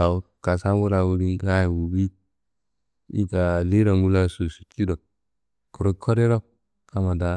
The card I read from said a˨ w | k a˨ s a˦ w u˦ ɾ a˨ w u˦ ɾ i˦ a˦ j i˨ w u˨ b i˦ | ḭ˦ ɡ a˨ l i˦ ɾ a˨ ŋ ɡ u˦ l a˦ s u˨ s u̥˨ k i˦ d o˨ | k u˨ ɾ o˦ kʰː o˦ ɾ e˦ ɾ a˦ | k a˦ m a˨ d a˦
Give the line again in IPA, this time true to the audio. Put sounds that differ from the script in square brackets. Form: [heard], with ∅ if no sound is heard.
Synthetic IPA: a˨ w | k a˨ s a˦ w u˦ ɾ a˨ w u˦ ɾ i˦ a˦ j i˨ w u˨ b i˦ | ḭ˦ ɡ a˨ l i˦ ɾ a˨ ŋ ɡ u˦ l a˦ s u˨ s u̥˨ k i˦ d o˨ | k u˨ ɾ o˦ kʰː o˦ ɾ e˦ ɾ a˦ | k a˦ m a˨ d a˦